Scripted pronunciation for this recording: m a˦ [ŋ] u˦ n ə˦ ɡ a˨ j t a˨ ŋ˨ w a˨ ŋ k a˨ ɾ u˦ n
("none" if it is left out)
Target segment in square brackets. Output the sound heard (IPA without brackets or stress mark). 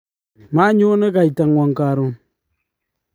ɲ